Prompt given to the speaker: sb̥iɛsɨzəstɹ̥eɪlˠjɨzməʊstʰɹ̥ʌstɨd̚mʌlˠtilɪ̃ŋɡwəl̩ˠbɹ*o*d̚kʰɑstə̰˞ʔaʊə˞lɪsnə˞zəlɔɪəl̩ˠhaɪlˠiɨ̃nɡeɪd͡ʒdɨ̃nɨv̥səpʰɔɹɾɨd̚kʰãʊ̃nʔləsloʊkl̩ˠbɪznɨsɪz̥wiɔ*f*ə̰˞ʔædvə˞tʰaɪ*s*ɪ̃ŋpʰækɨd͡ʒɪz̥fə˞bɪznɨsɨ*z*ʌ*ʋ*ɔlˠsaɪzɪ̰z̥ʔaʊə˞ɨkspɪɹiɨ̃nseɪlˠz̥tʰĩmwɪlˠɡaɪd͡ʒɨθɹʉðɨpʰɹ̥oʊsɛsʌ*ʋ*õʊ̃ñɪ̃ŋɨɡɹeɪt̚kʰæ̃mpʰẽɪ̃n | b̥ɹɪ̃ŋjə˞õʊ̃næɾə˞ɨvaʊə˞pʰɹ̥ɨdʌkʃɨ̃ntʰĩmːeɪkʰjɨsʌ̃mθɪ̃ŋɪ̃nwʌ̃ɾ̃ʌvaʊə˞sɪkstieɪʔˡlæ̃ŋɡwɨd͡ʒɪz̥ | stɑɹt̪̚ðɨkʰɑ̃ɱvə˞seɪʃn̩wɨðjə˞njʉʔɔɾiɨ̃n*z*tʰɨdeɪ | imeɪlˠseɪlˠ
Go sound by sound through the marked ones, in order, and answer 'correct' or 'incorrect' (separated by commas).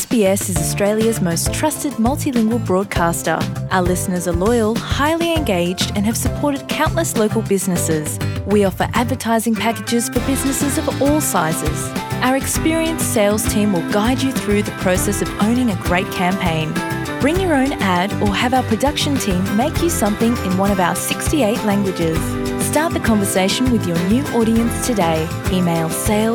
incorrect, correct, incorrect, correct, incorrect, incorrect, incorrect